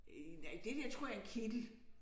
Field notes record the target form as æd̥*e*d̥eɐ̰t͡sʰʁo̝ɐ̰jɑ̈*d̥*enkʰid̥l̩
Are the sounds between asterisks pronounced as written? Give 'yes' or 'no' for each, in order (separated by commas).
yes, no